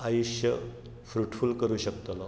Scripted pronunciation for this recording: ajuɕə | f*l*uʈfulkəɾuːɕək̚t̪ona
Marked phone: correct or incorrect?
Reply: incorrect